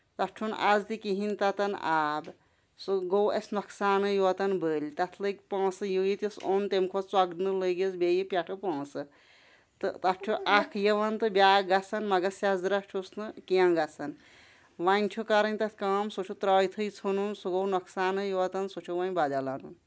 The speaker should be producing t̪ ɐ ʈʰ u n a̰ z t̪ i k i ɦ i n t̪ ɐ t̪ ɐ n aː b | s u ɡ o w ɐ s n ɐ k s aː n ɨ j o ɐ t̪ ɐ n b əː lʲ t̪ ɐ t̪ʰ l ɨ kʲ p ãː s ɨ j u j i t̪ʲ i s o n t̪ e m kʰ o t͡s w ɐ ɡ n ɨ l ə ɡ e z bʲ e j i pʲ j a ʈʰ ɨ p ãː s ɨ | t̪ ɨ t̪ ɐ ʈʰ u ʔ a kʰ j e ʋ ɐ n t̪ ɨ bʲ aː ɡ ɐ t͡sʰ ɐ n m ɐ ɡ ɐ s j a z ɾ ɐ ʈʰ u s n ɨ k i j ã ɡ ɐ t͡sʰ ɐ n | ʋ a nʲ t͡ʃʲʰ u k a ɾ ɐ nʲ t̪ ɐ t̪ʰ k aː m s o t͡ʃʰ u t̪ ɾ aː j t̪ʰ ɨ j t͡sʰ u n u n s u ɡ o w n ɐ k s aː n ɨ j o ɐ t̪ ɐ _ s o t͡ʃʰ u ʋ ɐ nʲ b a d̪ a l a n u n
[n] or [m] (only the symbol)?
n